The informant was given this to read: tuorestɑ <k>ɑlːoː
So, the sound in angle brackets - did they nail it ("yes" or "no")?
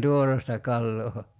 yes